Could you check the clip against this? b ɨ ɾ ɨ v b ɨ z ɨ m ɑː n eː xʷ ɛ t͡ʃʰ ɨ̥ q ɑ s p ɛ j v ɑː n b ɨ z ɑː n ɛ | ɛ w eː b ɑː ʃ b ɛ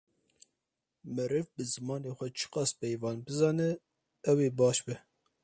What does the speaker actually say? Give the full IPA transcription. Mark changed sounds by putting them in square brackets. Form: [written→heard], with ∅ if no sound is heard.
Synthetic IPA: [b→m] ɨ ɾ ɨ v b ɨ z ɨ m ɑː n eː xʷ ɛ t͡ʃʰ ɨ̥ q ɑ s p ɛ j v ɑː n b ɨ z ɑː n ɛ | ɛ w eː b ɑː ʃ b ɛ